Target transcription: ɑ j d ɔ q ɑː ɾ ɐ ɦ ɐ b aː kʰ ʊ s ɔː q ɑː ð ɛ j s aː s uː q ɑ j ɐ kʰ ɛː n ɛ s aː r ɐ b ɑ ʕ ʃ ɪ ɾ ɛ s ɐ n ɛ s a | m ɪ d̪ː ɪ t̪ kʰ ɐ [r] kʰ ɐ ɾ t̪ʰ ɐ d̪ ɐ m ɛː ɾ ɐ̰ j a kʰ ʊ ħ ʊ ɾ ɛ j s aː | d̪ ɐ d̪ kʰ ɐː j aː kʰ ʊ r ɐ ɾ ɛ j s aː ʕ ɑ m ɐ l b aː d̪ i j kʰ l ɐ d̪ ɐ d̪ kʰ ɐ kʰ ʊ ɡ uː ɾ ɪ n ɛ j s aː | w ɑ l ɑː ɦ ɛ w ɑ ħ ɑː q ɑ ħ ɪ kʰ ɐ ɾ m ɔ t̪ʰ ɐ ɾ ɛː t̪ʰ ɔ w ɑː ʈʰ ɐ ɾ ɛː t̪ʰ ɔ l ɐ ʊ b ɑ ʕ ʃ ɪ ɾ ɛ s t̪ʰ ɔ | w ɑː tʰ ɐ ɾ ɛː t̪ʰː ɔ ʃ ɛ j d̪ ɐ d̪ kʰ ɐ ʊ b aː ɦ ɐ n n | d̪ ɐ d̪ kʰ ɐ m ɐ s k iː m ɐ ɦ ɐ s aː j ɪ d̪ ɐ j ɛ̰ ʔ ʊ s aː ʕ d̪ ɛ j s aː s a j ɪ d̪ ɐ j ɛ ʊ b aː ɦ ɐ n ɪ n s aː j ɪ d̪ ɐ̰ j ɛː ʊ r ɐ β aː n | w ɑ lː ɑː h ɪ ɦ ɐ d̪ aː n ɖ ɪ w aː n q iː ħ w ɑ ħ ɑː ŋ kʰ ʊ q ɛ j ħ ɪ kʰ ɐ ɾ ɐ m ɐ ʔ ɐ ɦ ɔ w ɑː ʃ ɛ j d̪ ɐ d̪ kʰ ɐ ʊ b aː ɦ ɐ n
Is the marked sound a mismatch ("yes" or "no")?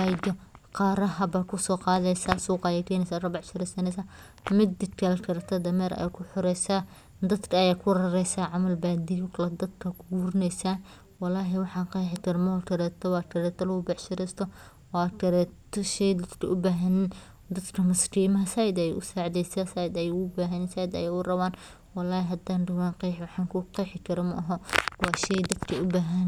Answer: yes